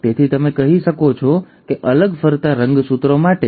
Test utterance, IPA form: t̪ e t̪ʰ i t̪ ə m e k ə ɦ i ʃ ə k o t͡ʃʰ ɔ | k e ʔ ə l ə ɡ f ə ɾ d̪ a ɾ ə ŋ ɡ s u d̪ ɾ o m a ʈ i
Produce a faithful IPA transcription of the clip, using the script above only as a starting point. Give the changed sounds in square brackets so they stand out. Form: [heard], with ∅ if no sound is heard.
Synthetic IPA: t̪ e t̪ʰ i t̪ ə m e k ə ɦ i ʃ ə k o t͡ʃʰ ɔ | k e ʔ ə l ə ɡ f ə ɾ [t̪] a ɾ ə ŋ ɡ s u [t̪] ɾ o m a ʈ [e]